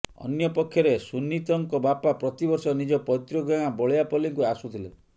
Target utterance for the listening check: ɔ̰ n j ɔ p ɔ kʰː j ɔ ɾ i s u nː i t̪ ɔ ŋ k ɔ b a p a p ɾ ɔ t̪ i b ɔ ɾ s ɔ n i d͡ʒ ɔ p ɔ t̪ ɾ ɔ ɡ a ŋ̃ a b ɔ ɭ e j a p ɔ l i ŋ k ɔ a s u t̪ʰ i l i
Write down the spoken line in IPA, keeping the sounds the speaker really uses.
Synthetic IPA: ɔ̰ n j ɔ p ɔ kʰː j ɔ ɾ e s u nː i t̪ ɔ ŋ k ɔ b a p a p ɾ ɔ t̪ i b ɔ ɾ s ɔ n i d͡ʒ ɔ p ɔ t̪ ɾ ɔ ɡ a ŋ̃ a b ɔ ɭ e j a p ɔ l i ŋ k u a s u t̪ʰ i l e